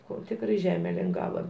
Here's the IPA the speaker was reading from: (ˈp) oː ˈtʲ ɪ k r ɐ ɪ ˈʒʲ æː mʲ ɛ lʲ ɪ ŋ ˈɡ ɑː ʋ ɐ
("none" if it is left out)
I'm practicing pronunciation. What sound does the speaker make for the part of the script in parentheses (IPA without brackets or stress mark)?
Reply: k